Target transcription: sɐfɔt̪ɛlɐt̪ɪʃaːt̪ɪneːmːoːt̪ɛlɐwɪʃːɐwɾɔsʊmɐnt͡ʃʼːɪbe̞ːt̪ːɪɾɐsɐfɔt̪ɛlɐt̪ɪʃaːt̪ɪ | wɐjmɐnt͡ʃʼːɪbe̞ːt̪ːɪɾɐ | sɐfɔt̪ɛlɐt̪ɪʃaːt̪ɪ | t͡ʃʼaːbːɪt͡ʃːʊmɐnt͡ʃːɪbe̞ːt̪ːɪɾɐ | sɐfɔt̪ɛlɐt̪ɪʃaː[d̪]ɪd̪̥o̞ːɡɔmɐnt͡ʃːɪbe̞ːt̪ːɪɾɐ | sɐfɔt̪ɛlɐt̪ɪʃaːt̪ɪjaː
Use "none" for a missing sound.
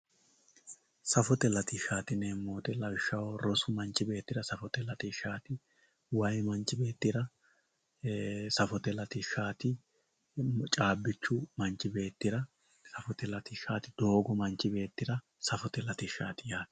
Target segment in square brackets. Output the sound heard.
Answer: t̪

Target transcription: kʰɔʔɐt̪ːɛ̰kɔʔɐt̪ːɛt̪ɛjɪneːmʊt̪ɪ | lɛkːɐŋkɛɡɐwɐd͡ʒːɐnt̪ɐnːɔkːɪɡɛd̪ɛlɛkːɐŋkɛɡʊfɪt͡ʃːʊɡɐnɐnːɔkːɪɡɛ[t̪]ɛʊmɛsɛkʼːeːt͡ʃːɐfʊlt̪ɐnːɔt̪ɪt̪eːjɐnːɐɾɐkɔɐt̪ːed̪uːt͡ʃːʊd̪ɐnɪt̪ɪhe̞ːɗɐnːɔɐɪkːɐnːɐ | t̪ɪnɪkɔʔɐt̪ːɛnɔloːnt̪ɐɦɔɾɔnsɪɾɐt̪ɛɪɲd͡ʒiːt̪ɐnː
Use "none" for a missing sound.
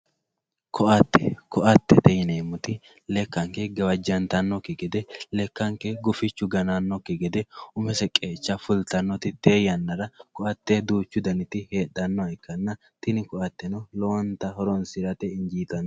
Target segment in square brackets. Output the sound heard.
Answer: d̪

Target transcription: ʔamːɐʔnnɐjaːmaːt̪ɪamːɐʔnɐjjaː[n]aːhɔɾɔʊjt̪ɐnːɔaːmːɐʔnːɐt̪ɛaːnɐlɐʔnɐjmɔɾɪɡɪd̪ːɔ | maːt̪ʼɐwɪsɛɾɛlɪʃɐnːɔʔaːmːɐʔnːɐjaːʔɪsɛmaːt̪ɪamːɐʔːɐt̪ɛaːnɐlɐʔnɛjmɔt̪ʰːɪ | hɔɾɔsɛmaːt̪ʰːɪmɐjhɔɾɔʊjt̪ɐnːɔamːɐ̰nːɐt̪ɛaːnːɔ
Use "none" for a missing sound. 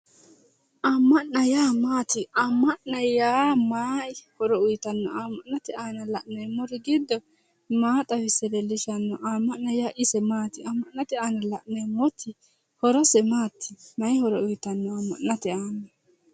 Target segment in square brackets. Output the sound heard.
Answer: m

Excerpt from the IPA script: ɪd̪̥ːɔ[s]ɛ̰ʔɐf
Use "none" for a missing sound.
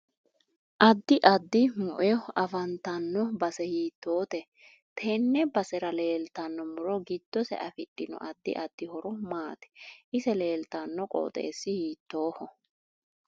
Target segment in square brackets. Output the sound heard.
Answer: s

